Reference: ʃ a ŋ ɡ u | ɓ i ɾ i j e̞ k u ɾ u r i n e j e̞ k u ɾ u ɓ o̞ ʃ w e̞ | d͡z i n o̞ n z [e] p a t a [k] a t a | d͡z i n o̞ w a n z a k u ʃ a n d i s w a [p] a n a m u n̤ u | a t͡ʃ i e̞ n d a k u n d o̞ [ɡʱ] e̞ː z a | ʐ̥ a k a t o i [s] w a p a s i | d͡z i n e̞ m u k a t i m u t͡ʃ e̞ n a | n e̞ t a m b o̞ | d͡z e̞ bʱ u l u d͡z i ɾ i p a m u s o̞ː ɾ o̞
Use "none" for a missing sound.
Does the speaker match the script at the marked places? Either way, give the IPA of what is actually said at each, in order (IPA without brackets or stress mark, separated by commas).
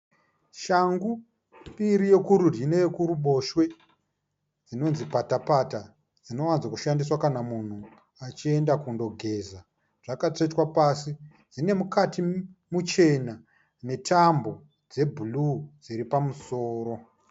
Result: i, p, k, ɡʱ, t